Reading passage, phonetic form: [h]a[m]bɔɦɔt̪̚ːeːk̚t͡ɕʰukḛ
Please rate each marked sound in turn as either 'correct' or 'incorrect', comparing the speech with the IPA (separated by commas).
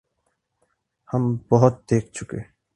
correct, correct